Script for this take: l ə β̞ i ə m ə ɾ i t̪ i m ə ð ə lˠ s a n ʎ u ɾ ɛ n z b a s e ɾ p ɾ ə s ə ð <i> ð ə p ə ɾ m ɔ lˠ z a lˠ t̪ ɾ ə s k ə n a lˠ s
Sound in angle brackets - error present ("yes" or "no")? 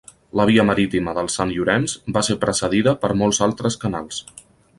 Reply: no